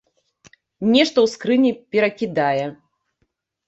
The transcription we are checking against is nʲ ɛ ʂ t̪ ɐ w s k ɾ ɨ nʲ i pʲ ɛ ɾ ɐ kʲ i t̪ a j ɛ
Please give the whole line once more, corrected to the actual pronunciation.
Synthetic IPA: nʲ ɛ ʂ t̪ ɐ w s k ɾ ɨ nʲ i pʲ ɛ ɾ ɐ kʲ i d̪ a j ɛ